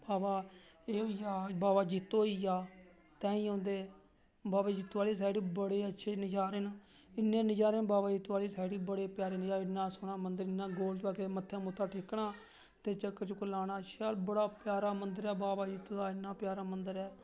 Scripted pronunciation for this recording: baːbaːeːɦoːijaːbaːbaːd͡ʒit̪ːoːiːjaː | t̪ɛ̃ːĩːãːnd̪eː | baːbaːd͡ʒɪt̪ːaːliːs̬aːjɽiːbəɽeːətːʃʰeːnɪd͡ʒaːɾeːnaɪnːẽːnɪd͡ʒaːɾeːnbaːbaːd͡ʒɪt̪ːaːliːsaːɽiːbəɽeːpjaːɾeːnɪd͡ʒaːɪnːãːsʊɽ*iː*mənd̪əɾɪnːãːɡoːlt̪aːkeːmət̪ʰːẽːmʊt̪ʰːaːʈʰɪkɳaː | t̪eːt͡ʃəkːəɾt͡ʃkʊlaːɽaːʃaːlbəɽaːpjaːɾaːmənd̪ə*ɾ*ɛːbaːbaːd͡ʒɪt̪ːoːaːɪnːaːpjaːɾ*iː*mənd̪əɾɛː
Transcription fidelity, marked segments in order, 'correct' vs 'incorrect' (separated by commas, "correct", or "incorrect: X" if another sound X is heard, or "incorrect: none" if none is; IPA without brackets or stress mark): incorrect: aː, correct, incorrect: aː